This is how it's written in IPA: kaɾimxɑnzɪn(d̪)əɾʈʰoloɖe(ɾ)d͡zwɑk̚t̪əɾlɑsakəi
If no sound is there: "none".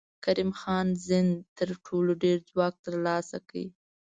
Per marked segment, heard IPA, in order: t̪, ɾ

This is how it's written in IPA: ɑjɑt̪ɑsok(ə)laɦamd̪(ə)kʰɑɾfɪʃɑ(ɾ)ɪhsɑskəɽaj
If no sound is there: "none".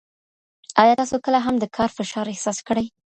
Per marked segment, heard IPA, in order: ə, ə, ɾ

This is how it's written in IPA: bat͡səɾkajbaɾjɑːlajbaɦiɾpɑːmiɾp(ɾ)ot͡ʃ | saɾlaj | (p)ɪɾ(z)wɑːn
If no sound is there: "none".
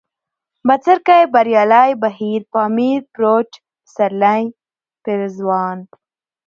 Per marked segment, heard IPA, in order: ɾ, p, z

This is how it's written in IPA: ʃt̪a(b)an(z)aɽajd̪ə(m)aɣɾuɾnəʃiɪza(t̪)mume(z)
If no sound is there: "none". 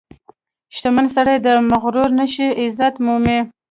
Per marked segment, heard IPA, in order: m, s, m, t̪, none

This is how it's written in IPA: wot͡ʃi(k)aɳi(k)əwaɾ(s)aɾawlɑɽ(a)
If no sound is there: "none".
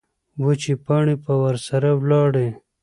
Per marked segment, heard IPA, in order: p, p, s, e

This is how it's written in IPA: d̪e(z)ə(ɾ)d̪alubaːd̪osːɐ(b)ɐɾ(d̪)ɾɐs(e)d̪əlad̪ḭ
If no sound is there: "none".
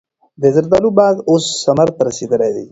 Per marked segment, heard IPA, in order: z, ɾ, m, t̪, i

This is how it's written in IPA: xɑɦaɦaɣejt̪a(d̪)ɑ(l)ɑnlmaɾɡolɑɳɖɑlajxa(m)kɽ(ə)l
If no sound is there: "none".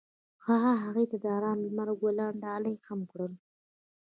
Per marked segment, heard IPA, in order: d̪, ɾ, m, ə

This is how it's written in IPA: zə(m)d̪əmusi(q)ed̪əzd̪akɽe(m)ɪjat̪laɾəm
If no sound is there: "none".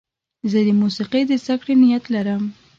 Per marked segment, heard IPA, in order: none, q, n

